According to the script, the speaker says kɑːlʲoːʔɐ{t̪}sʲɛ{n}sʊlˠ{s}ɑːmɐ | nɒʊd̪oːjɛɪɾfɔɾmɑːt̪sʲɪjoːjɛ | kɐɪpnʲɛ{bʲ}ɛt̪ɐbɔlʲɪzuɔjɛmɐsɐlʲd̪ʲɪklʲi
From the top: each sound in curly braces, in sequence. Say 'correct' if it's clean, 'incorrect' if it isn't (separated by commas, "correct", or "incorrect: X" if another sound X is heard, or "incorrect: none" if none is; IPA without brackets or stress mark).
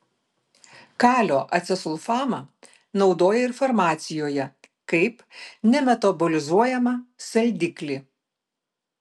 correct, incorrect: none, incorrect: f, incorrect: mʲ